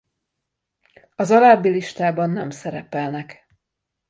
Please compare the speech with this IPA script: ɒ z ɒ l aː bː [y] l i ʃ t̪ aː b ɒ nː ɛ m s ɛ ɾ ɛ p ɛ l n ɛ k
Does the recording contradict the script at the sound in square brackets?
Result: yes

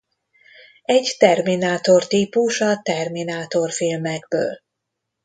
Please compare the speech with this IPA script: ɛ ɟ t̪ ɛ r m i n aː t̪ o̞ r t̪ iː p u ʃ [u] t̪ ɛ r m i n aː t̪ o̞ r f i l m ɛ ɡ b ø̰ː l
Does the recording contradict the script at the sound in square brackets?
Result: yes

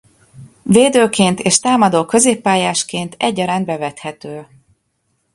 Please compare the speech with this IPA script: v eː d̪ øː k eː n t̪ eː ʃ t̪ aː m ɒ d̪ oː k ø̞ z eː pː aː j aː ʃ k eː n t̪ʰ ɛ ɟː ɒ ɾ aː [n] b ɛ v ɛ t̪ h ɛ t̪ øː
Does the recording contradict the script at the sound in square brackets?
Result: no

